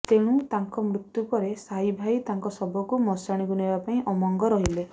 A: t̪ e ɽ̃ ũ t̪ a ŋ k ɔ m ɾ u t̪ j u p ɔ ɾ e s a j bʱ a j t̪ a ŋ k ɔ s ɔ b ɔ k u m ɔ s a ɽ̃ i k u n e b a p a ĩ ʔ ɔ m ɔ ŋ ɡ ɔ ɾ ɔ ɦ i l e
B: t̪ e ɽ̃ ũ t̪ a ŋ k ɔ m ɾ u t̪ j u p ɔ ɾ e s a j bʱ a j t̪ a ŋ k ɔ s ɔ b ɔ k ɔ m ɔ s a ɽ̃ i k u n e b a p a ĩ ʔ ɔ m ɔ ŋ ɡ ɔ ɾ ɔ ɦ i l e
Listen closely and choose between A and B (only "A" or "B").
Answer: A